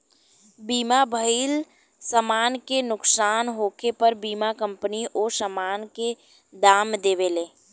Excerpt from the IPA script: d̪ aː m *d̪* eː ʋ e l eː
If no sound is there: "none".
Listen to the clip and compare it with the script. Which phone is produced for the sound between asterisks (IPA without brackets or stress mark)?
d̪